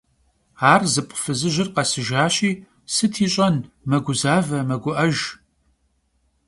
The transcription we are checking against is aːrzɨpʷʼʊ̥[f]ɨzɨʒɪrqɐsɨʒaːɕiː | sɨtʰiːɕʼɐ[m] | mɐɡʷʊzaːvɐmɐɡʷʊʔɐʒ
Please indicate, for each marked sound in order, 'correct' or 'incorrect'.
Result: correct, incorrect: n

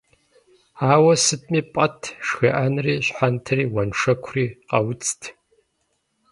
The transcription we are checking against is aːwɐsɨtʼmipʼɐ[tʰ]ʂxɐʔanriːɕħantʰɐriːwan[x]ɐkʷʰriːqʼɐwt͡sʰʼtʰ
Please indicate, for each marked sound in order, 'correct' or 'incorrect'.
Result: correct, incorrect: ʂ

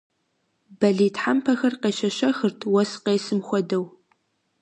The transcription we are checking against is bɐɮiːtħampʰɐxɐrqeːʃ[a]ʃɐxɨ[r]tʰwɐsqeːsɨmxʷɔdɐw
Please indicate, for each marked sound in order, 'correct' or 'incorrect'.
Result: incorrect: ɐ, correct

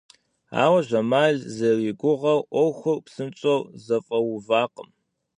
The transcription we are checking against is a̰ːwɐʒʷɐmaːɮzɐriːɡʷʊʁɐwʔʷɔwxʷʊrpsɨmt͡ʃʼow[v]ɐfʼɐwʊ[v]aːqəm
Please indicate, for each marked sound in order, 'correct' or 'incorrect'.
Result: incorrect: z, correct

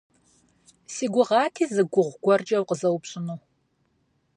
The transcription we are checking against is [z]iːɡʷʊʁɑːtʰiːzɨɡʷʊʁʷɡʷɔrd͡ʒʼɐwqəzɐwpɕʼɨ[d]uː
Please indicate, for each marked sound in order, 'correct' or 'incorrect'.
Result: incorrect: s, incorrect: n

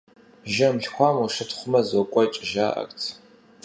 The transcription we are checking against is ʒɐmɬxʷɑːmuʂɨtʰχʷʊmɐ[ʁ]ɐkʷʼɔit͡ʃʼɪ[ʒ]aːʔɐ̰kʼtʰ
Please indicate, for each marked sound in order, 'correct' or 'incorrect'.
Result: incorrect: z, correct

